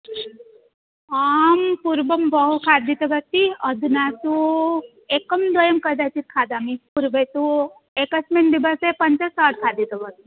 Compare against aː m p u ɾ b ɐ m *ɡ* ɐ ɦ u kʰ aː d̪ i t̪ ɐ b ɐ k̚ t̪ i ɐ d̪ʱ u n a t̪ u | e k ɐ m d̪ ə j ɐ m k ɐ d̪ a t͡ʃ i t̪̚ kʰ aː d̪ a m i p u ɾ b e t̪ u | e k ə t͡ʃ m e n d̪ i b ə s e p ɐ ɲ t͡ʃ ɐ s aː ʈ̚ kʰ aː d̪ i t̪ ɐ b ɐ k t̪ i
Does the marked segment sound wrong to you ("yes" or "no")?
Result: yes